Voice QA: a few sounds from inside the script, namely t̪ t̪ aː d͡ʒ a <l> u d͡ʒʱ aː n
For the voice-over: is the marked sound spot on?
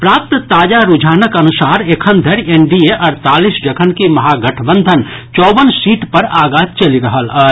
no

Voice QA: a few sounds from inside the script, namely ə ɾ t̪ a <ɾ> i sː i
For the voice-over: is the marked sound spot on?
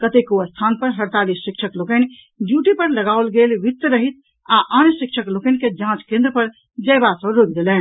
no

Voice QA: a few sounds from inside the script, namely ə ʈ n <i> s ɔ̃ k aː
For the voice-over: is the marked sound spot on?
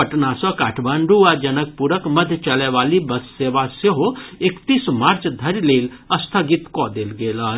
no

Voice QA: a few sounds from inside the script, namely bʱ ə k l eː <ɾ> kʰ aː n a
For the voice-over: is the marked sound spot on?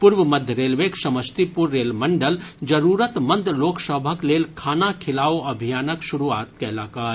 no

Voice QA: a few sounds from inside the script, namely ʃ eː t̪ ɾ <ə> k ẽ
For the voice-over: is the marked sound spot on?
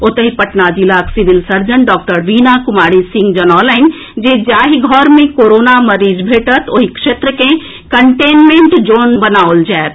yes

